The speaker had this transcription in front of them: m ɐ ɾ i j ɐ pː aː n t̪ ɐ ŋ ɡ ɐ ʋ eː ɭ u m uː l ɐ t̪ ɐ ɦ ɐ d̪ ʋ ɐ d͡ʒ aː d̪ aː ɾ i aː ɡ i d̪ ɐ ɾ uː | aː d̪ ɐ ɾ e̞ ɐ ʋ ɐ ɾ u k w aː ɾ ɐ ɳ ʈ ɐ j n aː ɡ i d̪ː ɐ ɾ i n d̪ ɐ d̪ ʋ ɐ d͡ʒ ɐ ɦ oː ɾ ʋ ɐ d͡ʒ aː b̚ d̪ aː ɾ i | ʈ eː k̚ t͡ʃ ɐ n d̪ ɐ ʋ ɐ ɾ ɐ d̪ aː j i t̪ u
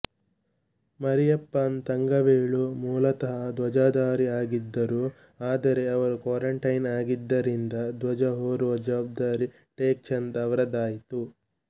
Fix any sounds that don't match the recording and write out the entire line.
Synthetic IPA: m ɐ ɾ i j ɐ pː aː n t̪ ɐ ŋ ɡ ɐ ʋ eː ɭ u m uː l ɐ t̪ ɐ ɦ ɐ d̪ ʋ ɐ d͡ʒ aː d̪ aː ɾ i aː ɡ i d̪ː ɐ ɾ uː | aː d̪ ɐ ɾ e̞ ɐ ʋ ɐ ɾ u k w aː ɾ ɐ ɳ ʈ ɐ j n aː ɡ i d̪ː ɐ ɾ i n d̪ ɐ d̪ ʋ ɐ d͡ʒ ɐ ɦ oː ɾ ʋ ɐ d͡ʒ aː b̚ d̪ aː ɾ i | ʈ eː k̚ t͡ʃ ɐ n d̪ ɐ ʋ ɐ ɾ ɐ d̪ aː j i t̪ u